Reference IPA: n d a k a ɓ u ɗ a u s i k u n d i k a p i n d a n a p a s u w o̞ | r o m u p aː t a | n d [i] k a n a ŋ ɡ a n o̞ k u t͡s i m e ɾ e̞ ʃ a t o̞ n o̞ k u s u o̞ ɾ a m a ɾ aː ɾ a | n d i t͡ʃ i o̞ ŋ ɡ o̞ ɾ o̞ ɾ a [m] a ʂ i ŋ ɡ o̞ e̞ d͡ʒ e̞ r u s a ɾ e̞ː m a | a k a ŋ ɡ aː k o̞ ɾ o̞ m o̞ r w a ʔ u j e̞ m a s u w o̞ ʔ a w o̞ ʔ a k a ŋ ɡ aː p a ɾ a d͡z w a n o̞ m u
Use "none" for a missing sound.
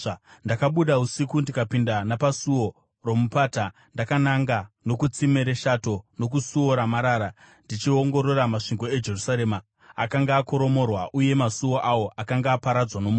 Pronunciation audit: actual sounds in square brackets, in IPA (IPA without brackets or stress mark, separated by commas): a, m